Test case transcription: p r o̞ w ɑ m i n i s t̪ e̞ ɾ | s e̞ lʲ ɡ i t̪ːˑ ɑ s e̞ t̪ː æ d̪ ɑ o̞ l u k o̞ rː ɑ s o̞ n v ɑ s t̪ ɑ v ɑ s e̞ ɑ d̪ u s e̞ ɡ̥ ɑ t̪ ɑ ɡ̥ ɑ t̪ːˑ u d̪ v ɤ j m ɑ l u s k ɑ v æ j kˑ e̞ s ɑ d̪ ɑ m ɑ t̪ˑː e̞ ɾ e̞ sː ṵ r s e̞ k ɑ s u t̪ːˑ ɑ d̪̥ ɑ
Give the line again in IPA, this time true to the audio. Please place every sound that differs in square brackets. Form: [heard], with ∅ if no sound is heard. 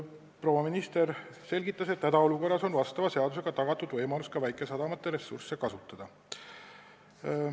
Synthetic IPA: p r o̞ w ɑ m i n i s t̪ e̞ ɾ | s e̞ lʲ ɡ i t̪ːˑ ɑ s e̞ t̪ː æ d̪ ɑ o̞ l u k o̞ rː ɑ s o̞ n v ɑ s t̪ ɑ v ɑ s e̞ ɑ d̪ u s e̞ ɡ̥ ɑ t̪ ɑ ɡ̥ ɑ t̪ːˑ u d̪ v ɤ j m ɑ l u s k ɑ v æ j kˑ e̞ s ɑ d̪ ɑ m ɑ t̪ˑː e̞ ɾ e̞ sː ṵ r s e̞ k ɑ s u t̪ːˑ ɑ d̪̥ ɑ